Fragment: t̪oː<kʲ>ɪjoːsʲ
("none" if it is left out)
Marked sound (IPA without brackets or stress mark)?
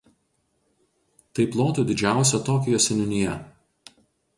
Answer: kʲ